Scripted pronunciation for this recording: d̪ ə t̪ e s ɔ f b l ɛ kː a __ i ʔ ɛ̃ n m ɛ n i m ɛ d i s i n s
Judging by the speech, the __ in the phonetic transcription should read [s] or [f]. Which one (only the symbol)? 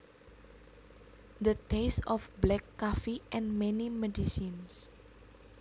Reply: f